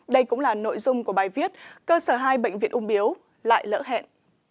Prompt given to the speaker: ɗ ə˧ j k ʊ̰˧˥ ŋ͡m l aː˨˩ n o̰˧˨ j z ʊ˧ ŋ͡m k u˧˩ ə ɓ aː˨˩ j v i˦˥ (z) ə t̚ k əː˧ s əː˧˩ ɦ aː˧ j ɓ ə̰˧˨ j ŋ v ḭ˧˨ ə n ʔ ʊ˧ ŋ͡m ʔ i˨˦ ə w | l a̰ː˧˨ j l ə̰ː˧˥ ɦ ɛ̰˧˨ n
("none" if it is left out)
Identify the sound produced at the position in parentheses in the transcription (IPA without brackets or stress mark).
none